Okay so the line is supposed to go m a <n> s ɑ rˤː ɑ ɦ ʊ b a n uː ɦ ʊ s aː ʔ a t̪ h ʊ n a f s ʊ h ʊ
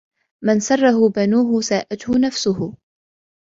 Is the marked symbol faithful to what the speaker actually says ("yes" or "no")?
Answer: yes